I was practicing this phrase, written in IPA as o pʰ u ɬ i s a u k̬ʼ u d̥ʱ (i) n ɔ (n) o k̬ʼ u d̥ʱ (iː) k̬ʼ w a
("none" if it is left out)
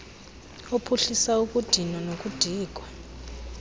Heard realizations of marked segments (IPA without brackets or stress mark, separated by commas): i, n, iː